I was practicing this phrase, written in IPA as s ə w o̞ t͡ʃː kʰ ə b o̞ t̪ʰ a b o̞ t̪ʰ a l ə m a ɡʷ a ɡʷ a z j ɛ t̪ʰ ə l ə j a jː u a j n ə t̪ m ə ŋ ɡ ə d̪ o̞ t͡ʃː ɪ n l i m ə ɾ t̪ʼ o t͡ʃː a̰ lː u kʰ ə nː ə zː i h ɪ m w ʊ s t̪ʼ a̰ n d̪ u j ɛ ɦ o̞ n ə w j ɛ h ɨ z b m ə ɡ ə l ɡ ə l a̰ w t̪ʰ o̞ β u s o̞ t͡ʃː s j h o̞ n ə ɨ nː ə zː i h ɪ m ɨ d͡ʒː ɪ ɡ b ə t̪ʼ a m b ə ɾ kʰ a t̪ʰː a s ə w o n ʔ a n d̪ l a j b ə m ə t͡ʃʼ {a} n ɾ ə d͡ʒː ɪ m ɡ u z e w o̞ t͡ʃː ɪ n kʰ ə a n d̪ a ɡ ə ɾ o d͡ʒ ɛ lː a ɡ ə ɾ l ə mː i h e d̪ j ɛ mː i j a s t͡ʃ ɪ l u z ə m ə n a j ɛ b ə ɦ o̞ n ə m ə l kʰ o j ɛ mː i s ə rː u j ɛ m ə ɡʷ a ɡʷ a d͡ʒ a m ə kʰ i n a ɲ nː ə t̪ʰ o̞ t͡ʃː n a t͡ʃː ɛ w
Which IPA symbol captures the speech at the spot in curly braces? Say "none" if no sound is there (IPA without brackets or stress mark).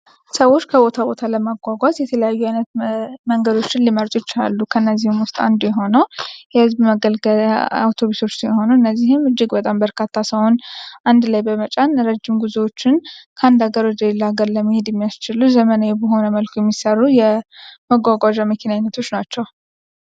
a